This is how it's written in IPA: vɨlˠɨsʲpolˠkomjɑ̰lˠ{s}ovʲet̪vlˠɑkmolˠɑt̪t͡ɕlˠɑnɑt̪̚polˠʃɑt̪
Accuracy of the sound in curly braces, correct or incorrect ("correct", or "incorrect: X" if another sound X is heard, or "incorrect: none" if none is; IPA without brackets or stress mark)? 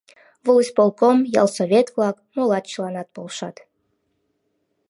correct